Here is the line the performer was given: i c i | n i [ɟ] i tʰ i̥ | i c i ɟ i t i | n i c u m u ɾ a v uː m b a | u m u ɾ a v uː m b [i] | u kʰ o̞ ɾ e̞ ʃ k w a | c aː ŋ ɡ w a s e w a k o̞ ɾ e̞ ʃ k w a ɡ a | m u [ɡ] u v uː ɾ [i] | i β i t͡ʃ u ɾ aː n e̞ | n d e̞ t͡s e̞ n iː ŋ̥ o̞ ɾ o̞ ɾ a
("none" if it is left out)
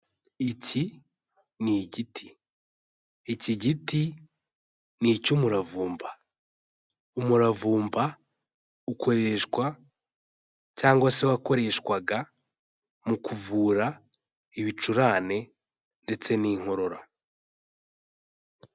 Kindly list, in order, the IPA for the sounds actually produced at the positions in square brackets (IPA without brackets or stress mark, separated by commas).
ɟ, a, k, a